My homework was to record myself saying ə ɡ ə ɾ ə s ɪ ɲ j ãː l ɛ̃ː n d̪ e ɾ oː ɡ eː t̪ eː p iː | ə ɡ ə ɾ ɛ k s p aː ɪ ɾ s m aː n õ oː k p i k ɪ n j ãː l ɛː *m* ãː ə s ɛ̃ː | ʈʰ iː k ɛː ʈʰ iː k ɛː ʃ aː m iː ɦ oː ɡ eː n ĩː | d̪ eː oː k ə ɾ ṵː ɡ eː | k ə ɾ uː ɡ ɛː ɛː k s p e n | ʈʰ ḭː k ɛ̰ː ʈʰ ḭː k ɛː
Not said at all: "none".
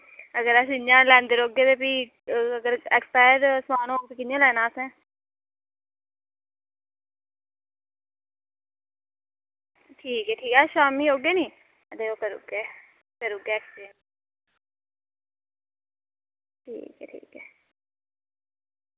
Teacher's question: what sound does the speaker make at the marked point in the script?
n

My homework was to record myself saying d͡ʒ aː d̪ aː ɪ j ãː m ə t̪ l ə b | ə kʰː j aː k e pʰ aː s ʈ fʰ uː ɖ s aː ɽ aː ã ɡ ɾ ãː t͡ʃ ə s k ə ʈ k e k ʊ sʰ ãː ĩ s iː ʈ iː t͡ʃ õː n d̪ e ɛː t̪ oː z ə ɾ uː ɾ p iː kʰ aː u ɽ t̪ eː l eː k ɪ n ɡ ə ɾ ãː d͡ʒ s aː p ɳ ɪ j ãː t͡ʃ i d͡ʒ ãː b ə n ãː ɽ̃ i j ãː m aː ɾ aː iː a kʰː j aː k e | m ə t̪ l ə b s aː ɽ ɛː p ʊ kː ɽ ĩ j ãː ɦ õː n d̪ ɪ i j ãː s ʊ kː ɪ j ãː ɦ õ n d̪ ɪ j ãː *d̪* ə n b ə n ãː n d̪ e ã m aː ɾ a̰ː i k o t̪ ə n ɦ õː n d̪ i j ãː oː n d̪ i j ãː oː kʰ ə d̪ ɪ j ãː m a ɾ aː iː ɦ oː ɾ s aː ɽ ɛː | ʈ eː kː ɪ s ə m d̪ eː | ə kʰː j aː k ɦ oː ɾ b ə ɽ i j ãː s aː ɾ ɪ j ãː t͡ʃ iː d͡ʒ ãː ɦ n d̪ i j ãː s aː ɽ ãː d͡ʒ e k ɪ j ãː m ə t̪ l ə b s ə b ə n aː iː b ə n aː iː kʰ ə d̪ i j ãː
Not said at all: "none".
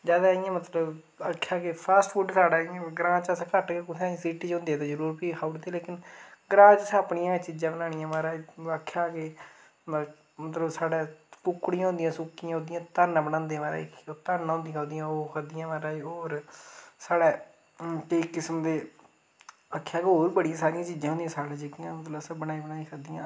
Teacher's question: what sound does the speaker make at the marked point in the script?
t̪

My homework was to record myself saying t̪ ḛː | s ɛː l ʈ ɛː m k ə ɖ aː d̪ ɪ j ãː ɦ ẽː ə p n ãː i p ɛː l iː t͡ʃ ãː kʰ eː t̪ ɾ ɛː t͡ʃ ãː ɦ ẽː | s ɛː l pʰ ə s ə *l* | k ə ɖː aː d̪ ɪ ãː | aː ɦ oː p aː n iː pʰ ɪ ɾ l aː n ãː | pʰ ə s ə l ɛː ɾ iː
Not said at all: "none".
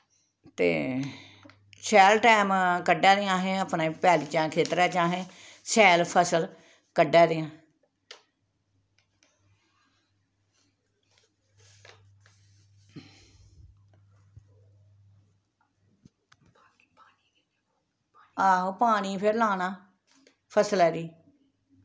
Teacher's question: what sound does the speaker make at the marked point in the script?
l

